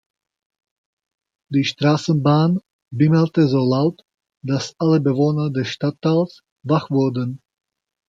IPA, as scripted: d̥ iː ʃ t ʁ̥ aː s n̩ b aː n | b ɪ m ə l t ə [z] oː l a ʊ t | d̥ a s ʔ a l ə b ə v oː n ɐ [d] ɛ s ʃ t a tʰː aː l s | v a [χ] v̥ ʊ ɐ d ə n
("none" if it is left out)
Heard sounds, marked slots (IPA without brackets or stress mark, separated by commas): z, d, χ